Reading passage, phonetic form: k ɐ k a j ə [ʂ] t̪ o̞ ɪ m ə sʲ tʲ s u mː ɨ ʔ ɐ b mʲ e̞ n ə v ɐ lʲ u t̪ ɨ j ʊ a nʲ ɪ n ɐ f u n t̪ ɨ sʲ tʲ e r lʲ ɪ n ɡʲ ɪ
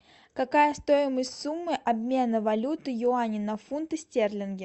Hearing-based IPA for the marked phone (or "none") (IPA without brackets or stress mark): s